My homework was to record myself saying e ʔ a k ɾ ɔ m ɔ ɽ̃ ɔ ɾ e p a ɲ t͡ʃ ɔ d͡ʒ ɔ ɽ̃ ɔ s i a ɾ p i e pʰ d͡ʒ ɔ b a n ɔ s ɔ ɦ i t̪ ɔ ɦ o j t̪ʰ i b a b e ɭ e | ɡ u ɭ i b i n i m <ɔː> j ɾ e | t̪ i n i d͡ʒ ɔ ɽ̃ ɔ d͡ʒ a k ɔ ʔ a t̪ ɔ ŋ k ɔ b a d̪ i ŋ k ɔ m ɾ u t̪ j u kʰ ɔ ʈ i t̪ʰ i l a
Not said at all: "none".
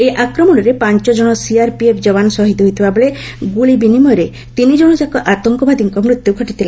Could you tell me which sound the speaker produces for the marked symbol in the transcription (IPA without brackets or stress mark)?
ɔ